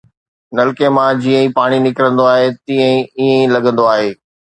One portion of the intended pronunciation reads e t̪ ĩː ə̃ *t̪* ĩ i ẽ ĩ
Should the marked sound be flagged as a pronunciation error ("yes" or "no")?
yes